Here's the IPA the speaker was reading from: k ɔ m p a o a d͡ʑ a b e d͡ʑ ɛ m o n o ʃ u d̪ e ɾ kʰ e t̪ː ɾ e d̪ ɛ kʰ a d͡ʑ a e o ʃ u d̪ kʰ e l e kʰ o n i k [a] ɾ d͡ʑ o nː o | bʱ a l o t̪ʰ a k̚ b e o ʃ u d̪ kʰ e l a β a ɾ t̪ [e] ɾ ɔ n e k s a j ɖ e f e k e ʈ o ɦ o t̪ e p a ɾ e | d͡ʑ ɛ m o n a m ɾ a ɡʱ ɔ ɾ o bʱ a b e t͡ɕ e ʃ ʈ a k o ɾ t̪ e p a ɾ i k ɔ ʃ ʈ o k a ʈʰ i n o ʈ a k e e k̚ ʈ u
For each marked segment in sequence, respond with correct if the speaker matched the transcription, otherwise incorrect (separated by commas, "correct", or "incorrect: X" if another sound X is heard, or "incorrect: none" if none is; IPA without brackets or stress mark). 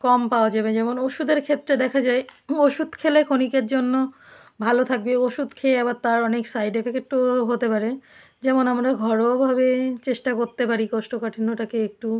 incorrect: e, incorrect: a